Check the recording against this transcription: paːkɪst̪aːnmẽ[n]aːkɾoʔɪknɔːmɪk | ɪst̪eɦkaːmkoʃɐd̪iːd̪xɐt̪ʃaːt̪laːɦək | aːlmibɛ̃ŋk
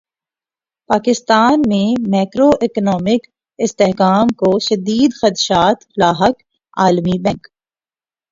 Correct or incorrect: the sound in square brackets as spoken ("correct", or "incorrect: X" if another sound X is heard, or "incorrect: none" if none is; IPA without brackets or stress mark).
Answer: incorrect: m